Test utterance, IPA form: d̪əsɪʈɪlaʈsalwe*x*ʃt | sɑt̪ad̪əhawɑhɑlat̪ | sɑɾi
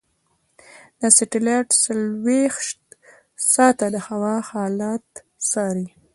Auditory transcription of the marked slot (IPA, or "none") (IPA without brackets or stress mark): x